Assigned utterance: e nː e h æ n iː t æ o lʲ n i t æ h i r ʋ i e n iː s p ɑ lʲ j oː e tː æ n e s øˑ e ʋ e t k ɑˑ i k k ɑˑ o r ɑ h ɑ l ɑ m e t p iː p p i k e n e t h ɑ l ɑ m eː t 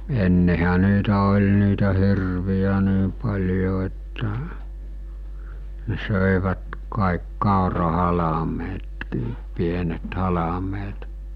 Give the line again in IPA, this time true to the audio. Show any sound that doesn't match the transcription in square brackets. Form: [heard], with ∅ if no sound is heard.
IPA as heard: e nː e h æ n iː t æ o lʲ n [iː] t æ h i r ʋ i [æ] n iː [∅] p ɑ lʲ j [o] e tː æ n e s øˑ e ʋ [æ] t k ɑˑ i k k ɑˑ o r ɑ h ɑ l ɑ m e t [k] iː p p i [∅] e n e t h ɑ l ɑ m eː t

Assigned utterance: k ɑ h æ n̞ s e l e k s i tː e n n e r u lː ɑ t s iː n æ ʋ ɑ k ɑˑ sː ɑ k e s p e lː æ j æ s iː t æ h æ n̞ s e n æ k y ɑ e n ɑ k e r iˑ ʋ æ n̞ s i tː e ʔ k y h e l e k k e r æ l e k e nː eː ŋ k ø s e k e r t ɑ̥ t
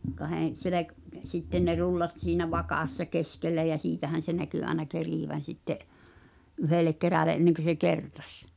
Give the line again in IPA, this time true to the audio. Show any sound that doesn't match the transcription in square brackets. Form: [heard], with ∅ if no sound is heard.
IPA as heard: k ɑ h [e] n̞ s e l e k s i tː e n n e r u lː ɑ t s iː n æ ʋ ɑ k ɑˑ sː ɑ k e s [k] e lː æ j æ s iː t æ h æ n̞ s e n æ k y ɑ e n ɑ k e r iˑ ʋ æ n̞ s i tː e ʔ [ʔ] y h e l e k k e r æ l e [ʔ] e nː [e] ŋ k ø s e k e r t ɑ̥ [s]

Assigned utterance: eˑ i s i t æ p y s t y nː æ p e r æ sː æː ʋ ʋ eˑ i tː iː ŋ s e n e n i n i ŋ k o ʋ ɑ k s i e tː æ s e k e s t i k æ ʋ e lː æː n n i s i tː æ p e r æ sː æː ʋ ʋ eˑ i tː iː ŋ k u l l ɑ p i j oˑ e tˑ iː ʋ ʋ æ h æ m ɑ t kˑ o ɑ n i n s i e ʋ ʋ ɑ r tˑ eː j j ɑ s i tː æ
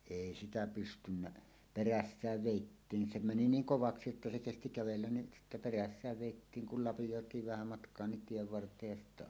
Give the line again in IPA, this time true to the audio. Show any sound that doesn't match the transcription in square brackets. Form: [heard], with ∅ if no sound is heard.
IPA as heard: eˑ i s i t æ p y s t y nː æ p e r æ sː æː ʋ ʋ eˑ i tː iː ŋ s e [m] e n i n [iː] ŋ k o ʋ ɑ k s i e tː æ s e k e s t i k æ ʋ e lː [æ] n n i s i tː æ p e r æ sː æː ʋ ʋ eˑ i tː iː ŋ k u l l ɑ p i j oˑ e tˑ iː ʋ ʋ æ h æ m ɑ t kˑ o ɑ n i n [t] i e ʋ ʋ ɑ r tˑ eː j j ɑ s i tː æ

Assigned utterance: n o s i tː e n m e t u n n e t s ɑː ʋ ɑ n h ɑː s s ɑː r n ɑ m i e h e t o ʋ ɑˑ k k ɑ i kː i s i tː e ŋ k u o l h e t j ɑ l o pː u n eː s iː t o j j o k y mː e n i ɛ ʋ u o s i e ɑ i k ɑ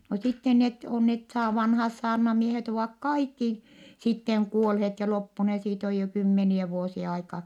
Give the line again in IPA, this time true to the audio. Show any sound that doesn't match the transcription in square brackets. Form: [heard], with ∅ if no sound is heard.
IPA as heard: n o s i tː e n [n] e t [o] n n e t s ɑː ʋ ɑ n h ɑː s s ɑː r n ɑ m i e h e t o ʋ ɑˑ k k ɑ i kː i s i tː e ŋ k u o l h e t j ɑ l o pː u n [e] s iː t o j j o k y mː e n i ɛ ʋ u o s i e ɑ i k ɑ

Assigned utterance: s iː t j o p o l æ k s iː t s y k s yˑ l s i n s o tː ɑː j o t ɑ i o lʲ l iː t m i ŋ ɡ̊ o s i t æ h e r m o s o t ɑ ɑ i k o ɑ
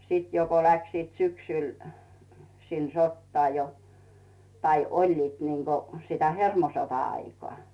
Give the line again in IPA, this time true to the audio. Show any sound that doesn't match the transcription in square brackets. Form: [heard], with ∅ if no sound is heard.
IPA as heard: s iː t j o [k] o l æ k s iː t s y k s yˑ l s i n s o tː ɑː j o t ɑ i o lʲ l iː t [n] i ŋ ɡ̊ o s i t æ h e r m o s o t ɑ ɑ i k o ɑ

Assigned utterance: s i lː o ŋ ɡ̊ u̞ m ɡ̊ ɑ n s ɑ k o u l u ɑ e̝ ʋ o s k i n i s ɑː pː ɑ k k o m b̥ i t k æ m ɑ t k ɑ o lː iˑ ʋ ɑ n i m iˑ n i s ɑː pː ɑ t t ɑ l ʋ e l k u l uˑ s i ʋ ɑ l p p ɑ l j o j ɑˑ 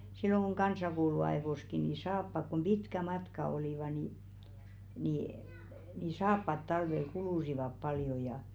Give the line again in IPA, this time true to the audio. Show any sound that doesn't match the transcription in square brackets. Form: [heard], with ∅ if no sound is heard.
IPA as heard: s i lː o ŋ ɡ̊ u̞ [ŋ] ɡ̊ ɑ n s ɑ k o u l u ɑ e̝ ʋ o s k i n i s ɑː pː ɑ k k o m b̥ i t k æ m ɑ t k ɑ o [l] iˑ ʋ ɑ n i [n] iˑ n i s ɑː pː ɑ t t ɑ l ʋ e l k u l uˑ s i ʋ ɑ [∅] p p ɑ l j o j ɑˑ

